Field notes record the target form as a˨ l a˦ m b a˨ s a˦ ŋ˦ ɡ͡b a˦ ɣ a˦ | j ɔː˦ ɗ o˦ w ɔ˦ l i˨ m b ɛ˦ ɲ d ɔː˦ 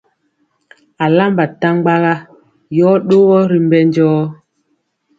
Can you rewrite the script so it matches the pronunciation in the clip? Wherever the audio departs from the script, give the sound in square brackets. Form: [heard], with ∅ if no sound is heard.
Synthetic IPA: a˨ l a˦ m b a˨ [t] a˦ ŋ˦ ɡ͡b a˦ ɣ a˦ | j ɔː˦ ɗ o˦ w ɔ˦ [ɾ] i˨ m b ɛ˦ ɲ [d͡ʒ] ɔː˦